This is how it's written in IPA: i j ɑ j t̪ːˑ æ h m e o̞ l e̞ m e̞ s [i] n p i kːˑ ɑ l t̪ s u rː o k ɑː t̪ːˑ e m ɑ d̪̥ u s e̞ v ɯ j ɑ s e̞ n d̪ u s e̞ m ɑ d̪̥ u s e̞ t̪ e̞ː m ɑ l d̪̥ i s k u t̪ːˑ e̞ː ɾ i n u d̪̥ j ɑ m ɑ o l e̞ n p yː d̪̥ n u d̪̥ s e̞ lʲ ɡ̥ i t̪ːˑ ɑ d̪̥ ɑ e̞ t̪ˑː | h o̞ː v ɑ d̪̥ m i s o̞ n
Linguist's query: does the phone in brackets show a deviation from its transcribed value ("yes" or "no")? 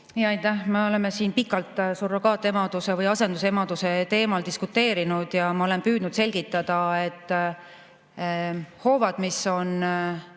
yes